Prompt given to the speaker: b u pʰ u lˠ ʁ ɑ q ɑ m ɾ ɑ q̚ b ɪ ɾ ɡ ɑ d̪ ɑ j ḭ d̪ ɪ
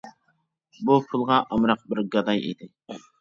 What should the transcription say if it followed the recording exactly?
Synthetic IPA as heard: b u pʰ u lˠ ʁ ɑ ʔ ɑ m ɾ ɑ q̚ b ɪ ɾ ɡ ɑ d̪ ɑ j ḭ d̪ ɪ